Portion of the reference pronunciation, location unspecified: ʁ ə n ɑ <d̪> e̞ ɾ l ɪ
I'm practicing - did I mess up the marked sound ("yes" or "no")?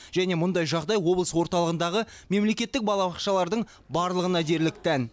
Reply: no